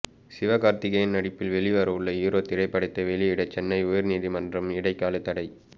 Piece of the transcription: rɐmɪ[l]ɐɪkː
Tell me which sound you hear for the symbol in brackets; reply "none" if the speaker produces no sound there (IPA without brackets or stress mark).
ɽ